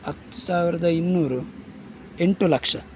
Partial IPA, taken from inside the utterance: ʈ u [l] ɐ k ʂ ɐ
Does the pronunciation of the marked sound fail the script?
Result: no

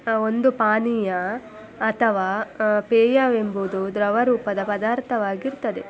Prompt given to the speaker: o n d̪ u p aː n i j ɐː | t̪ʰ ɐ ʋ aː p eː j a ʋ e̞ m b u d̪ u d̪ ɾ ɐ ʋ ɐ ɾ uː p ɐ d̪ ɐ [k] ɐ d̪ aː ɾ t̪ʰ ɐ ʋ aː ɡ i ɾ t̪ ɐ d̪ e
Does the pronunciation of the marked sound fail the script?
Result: yes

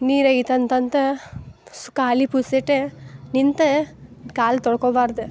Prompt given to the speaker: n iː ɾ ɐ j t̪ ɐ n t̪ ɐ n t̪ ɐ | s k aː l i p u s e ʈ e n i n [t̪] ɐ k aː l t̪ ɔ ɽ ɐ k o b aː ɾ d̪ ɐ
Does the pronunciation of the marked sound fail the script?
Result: no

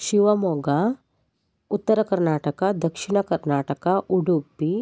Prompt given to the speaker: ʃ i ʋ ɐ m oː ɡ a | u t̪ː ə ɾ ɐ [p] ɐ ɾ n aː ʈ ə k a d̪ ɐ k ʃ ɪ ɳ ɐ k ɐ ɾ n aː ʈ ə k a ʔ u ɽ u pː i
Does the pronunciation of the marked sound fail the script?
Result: yes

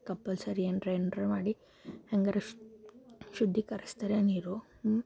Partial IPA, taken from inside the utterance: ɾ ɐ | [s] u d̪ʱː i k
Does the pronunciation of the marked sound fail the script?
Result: yes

